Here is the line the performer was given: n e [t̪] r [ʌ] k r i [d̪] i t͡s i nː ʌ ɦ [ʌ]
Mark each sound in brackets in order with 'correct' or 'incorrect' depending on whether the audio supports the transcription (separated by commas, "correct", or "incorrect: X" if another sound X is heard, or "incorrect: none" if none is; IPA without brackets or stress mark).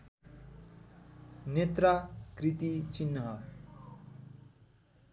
correct, incorrect: a, incorrect: t̪, correct